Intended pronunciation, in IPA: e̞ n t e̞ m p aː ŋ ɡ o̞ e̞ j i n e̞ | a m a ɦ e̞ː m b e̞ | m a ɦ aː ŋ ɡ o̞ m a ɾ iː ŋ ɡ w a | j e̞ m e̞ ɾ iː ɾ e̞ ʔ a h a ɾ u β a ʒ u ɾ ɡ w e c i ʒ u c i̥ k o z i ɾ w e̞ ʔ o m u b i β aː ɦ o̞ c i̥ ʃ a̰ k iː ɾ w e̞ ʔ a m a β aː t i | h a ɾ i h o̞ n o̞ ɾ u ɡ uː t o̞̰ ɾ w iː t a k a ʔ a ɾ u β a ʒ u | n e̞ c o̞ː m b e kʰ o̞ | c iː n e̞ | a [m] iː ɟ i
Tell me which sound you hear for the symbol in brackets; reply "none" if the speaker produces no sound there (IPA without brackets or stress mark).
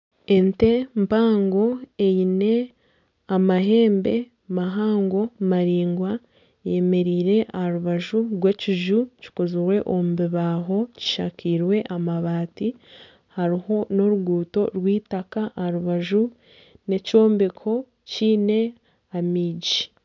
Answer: m